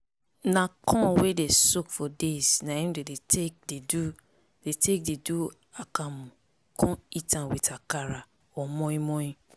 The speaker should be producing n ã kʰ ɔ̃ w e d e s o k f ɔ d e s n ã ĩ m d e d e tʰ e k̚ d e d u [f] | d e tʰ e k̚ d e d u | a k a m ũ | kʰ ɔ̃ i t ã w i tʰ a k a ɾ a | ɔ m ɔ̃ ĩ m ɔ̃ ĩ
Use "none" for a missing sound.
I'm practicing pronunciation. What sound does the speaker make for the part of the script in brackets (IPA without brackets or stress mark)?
none